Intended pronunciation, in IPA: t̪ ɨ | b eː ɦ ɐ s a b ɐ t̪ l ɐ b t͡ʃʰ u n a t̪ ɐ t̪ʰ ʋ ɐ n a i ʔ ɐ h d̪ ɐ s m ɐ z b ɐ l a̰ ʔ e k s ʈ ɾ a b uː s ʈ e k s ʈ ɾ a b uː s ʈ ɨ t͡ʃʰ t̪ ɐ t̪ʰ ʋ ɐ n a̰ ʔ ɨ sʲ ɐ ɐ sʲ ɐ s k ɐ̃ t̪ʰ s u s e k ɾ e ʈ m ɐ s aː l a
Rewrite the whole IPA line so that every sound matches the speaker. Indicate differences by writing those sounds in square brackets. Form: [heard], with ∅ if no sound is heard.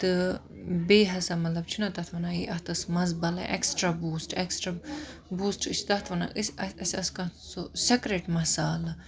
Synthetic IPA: t̪ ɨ | b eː ɦ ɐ s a [m] ɐ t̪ l ɐ b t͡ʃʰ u n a t̪ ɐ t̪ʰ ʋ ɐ n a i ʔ ɐ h [t̪] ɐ s m ɐ z b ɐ l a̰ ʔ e k s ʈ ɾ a b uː s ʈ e k s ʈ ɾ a b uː s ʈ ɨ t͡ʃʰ t̪ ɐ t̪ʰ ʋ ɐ n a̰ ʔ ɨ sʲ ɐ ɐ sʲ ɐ s k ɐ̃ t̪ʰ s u s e k ɾ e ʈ m ɐ s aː l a